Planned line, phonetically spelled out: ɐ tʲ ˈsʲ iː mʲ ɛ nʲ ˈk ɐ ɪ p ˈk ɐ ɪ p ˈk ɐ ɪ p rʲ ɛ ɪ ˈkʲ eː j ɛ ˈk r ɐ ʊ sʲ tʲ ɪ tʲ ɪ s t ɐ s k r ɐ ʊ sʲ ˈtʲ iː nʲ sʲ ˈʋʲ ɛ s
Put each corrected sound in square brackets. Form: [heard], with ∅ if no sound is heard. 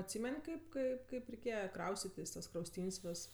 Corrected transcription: ɐ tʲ ˈsʲ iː mʲ ɛ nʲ ˈk ɐ ɪ p ˈk ɐ ɪ p ˈk ɐ ɪ p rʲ ɛ ɪ ˈkʲ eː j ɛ ˈk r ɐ ʊ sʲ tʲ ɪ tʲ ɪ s t ɐ s k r ɐ ʊ sʲ ˈtʲ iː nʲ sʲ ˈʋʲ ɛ s